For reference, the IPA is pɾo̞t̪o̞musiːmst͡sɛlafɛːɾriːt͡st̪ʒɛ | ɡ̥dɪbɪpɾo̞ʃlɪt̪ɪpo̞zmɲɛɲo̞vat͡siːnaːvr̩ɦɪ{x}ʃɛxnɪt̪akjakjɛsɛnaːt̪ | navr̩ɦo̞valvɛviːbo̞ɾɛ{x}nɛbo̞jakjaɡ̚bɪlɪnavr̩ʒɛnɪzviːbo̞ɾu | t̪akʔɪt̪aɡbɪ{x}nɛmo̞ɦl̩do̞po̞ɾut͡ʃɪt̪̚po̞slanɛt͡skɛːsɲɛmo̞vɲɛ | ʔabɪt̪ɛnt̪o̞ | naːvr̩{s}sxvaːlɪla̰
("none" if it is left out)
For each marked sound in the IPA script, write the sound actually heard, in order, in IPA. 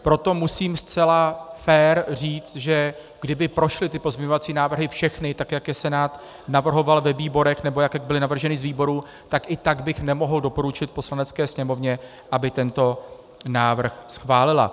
f, x, x, x

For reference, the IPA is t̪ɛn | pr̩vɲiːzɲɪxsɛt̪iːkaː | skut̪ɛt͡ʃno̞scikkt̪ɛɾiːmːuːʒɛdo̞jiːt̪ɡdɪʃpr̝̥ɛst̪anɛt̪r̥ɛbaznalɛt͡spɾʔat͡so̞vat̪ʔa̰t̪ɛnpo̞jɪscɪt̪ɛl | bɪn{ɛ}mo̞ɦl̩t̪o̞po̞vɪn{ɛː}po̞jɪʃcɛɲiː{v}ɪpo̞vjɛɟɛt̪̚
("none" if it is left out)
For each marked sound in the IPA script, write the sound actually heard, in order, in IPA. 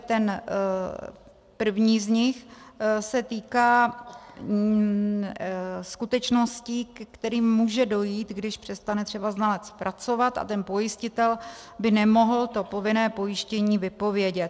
ɛ, ɛː, v

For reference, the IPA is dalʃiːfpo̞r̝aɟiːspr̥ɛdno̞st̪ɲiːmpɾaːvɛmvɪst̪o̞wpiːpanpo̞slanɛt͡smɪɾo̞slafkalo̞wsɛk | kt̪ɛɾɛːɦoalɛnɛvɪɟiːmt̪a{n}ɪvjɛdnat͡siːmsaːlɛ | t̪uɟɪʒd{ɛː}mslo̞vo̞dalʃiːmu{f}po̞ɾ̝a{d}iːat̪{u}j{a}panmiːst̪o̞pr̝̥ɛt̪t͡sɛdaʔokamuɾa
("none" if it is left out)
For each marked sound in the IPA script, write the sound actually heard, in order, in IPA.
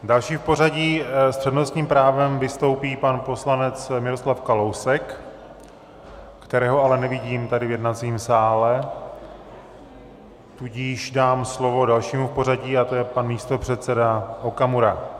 d, aː, f, ɟ, o, ɛ

